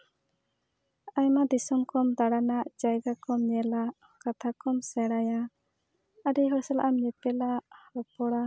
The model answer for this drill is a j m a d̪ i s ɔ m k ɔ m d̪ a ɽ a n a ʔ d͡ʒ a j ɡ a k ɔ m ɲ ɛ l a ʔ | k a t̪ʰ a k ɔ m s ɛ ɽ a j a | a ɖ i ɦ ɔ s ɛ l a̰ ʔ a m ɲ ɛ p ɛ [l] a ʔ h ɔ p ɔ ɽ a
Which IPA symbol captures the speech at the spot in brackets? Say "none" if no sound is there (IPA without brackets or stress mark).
l